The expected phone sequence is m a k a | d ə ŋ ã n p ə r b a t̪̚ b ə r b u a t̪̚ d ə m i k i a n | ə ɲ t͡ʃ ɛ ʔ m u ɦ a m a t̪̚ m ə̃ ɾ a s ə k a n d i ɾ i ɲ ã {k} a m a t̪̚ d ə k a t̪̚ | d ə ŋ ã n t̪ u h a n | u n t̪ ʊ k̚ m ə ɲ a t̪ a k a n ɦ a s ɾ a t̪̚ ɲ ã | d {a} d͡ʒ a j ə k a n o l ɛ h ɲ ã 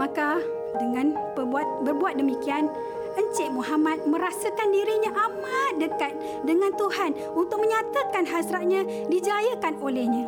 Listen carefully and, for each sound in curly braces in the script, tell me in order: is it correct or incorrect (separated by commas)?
incorrect, incorrect